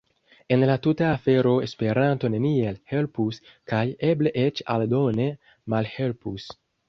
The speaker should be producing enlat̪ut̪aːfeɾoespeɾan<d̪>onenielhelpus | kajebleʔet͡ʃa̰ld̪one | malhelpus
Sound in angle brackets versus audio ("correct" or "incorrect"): incorrect